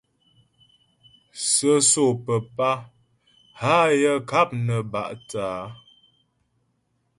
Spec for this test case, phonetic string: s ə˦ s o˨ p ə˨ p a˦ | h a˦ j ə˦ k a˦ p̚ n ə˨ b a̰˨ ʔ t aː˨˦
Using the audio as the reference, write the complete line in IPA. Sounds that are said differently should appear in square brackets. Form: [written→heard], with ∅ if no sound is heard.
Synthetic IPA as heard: s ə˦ s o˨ p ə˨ p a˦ | h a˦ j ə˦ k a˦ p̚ n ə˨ b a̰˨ ʔ t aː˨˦